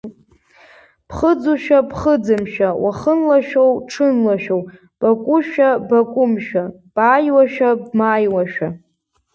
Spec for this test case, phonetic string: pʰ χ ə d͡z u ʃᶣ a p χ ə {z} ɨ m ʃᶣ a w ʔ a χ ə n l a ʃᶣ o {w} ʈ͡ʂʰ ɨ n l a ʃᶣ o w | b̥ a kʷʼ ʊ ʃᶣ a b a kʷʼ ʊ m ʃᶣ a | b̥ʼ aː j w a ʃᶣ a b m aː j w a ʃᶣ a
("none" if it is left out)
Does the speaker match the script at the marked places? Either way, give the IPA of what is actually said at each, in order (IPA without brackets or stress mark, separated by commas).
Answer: d͡z, w